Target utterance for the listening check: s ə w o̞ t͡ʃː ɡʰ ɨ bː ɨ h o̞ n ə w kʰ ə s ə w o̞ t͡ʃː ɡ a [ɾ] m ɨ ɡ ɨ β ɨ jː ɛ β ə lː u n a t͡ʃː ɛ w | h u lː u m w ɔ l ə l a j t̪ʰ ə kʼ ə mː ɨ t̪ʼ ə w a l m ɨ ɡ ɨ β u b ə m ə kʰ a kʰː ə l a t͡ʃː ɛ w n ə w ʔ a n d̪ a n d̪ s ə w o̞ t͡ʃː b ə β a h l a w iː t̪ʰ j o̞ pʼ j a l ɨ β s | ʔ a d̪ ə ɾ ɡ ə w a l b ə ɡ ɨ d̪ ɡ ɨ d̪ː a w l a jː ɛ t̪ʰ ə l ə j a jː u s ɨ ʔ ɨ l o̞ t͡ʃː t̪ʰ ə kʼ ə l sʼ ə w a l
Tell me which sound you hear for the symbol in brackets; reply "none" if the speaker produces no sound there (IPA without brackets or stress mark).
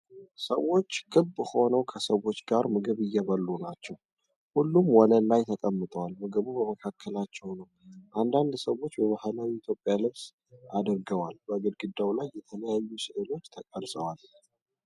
ɾ